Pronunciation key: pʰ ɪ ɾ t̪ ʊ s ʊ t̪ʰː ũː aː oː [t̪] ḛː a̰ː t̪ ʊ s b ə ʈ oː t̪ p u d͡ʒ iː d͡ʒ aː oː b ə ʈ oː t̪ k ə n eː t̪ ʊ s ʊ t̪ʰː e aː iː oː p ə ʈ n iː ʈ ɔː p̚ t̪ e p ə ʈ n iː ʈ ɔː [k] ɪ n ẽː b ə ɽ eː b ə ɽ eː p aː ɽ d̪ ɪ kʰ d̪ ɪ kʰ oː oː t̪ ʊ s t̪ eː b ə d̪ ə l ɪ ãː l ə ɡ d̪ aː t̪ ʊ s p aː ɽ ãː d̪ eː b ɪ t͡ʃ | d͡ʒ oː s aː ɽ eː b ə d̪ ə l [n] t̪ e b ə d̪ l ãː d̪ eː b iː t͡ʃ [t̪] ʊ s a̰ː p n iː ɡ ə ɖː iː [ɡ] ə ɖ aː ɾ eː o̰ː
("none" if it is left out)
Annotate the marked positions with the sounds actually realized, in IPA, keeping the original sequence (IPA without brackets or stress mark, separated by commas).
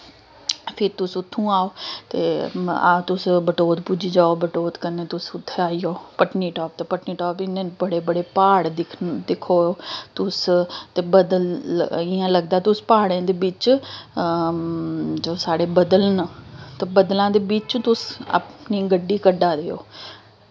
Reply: t̪, p, n, t̪, k